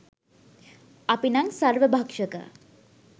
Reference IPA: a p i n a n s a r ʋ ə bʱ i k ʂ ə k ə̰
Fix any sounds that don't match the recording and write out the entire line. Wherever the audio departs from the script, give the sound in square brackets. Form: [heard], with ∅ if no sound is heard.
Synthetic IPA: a p i n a [ŋ] s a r ʋ ə bʱ [a] k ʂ ə k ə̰